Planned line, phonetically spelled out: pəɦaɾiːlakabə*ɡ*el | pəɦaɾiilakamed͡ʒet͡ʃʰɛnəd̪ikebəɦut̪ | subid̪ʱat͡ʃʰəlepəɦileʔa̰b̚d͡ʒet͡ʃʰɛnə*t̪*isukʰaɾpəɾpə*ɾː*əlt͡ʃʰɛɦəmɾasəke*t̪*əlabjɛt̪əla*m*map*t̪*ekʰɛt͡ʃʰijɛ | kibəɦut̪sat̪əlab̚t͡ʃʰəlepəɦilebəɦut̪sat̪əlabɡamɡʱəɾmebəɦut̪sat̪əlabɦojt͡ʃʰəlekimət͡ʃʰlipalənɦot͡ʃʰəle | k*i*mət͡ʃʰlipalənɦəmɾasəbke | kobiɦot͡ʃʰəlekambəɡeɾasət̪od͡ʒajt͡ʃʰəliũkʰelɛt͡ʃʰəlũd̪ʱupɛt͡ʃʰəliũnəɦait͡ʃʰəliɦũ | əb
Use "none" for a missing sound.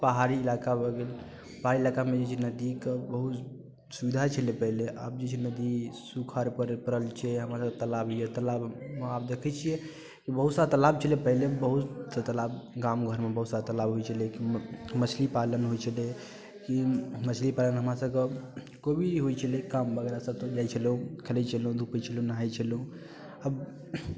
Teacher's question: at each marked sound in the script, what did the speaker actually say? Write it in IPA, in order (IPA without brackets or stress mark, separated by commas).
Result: ɡ, d̪, ɾ, t̪, b, d̪, i